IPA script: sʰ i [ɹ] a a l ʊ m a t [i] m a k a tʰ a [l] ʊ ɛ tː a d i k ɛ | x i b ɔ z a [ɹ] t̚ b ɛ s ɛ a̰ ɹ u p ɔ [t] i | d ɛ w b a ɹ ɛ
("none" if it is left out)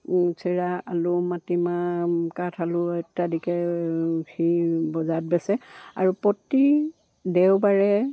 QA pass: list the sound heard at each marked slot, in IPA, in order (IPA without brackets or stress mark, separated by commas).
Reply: ɹ, i, l, none, t